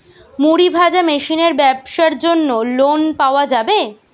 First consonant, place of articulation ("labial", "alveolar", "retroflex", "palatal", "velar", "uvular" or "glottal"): labial